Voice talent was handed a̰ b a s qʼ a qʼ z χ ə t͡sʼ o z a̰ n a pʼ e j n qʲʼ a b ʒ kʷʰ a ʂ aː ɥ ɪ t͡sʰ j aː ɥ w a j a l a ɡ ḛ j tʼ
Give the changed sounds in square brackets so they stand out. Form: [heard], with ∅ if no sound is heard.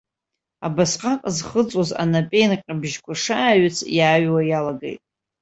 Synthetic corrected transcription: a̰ b a s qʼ a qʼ z χ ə t͡sʼ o z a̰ n a pʼ e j n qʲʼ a b ʒ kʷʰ a ʂ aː ɥ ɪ t͡sʰ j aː ɥ w a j a l a ɡ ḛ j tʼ